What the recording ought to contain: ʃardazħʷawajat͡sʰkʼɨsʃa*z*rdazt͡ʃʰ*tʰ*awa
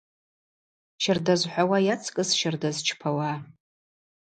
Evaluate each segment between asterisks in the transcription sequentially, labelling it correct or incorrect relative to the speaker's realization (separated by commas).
incorrect, incorrect